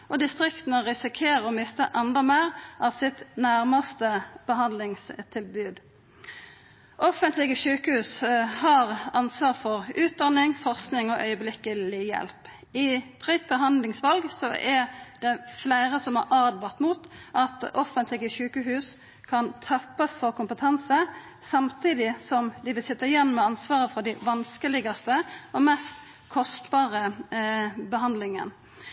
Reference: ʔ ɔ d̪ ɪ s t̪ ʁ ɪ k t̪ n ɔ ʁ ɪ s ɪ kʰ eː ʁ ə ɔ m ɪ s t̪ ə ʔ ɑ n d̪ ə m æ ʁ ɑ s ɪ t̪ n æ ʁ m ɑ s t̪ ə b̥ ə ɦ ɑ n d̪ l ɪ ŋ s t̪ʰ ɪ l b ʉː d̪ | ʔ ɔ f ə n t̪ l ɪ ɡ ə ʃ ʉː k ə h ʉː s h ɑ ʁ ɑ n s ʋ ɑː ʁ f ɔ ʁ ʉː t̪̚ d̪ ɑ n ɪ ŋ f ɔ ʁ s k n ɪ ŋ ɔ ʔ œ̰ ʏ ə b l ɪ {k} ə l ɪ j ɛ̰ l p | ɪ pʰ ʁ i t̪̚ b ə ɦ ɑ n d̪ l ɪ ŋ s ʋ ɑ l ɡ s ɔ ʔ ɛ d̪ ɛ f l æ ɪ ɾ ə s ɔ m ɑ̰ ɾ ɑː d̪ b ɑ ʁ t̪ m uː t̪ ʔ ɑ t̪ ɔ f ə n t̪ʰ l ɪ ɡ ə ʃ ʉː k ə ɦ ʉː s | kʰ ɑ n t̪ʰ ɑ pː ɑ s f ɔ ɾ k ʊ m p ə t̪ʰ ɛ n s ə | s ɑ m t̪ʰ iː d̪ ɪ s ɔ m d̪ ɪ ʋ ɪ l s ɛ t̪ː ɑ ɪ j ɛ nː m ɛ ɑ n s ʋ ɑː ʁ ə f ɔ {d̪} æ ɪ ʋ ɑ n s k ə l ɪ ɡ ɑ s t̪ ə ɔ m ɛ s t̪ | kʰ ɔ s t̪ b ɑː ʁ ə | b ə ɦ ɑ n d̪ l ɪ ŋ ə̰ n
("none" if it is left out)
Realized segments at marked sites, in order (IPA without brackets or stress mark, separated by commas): k, d̪